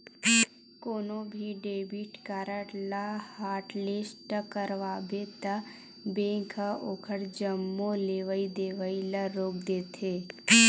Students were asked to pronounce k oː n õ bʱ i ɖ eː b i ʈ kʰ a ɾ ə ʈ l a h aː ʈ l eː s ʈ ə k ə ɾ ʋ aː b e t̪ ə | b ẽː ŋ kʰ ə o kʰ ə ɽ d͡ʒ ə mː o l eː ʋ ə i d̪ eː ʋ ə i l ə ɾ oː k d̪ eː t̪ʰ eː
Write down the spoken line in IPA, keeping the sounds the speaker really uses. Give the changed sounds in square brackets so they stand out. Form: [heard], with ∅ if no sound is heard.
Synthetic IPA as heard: k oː n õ bʱ i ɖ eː b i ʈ [k] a ɾ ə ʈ l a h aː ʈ l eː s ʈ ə k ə ɾ ʋ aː b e t̪ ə | b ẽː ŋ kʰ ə o kʰ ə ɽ d͡ʒ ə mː o l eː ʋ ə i d̪ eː ʋ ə i l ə ɾ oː k d̪ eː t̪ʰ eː